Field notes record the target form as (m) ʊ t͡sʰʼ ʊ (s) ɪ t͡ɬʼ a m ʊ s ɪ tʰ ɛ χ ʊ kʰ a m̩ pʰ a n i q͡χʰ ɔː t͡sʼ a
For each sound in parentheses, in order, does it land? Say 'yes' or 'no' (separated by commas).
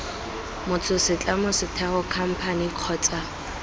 yes, yes